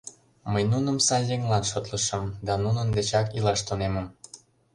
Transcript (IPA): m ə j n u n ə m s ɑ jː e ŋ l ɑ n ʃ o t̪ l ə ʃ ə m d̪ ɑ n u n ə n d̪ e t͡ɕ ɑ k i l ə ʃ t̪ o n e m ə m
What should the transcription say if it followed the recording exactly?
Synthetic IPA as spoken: m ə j n u n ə m s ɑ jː e ŋ l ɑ n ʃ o t̪ l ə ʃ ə m d̪ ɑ n u n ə n d̪ e t͡ɕ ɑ k i l ɑ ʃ t̪ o n e m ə m